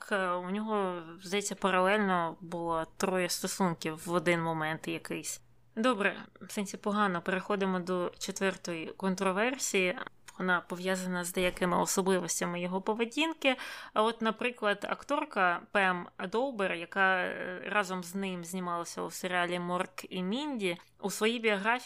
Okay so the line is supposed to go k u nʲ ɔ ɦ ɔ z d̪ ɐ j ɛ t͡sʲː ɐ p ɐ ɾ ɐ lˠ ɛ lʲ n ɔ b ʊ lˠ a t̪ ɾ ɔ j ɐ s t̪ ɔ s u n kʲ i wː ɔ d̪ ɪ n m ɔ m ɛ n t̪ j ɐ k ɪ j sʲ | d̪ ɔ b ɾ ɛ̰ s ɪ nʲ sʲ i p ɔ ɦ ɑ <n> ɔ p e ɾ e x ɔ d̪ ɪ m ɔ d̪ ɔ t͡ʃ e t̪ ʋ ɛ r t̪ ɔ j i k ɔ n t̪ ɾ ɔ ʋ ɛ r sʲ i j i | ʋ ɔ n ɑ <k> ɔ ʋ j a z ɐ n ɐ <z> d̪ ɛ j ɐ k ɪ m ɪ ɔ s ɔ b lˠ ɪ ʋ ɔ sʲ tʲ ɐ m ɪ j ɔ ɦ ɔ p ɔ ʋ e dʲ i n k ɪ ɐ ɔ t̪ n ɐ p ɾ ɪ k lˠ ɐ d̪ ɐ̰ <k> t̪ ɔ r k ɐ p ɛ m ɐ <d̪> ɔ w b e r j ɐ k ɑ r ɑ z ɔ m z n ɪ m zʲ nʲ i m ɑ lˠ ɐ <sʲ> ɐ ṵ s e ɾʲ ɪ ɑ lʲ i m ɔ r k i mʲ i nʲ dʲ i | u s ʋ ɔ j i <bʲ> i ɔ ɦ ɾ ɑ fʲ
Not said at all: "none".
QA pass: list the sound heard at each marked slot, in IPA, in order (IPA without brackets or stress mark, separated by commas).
n, p, z, k, d̪, sʲ, bʲ